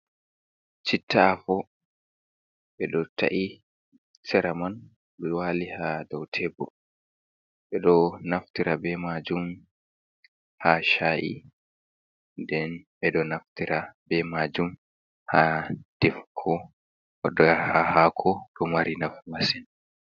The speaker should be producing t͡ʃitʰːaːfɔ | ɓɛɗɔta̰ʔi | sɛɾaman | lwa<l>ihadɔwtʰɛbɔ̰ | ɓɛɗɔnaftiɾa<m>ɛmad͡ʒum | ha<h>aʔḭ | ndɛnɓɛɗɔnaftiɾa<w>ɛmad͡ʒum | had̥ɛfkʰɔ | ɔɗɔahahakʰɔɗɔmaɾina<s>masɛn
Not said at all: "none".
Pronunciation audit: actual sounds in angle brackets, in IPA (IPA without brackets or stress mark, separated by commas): l, b, ʃ, b, f